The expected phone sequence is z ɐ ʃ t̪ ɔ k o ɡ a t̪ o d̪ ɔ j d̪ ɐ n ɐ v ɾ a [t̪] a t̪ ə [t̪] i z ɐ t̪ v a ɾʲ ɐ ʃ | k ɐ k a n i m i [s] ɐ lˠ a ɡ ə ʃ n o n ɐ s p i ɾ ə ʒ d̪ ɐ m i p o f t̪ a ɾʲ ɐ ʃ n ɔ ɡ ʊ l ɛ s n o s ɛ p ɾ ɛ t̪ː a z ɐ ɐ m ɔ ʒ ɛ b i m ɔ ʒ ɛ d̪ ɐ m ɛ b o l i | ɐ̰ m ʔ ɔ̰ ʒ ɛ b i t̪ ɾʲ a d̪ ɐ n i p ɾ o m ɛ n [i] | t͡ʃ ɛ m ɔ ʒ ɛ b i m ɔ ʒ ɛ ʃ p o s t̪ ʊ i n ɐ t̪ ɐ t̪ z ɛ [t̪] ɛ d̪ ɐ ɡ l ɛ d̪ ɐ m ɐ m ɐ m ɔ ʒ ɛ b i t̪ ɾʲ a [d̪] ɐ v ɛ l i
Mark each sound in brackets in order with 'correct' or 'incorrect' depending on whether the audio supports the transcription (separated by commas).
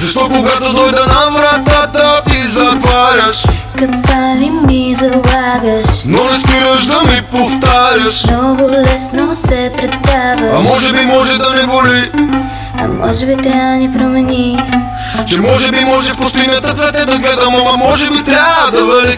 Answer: correct, correct, incorrect, correct, correct, correct